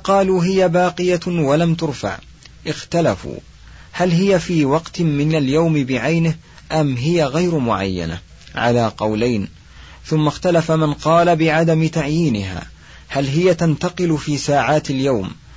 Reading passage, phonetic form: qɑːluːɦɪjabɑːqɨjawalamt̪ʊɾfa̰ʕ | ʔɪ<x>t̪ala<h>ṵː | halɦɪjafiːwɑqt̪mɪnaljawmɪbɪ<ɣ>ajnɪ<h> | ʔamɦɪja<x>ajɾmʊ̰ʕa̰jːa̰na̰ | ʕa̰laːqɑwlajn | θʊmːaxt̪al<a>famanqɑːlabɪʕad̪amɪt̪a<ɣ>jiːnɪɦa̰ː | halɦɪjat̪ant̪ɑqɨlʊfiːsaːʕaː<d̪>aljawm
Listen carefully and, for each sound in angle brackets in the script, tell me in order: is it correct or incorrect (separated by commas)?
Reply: correct, incorrect, incorrect, correct, incorrect, correct, incorrect, incorrect